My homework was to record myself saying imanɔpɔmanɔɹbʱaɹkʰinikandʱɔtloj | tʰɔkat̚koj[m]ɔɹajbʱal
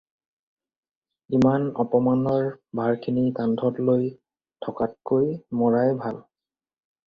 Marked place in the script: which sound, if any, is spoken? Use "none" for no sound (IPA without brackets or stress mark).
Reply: m